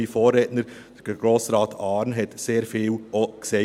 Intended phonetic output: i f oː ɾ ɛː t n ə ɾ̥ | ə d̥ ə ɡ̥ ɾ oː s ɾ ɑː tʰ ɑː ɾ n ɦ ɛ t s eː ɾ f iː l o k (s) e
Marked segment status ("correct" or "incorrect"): correct